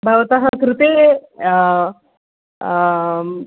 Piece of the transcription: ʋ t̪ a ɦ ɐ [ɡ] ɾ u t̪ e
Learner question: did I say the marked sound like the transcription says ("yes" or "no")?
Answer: no